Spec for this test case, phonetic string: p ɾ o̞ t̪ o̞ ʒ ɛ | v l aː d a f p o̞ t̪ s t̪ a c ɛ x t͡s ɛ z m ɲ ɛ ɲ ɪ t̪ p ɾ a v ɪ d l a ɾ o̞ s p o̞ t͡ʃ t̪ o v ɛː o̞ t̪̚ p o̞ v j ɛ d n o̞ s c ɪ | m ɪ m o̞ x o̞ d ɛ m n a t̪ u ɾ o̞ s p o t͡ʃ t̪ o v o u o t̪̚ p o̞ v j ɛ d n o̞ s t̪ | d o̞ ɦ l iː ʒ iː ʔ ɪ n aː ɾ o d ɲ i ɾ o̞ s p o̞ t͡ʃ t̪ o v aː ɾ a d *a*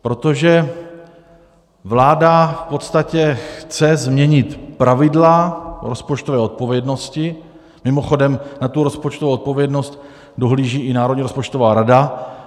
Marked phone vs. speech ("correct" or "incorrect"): correct